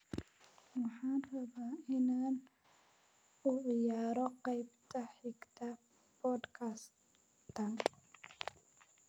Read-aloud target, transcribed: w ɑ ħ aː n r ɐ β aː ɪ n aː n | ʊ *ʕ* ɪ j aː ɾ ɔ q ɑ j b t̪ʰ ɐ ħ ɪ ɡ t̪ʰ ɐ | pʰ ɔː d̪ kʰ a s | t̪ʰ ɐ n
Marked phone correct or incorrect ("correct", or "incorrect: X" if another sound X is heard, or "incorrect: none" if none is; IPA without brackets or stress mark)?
correct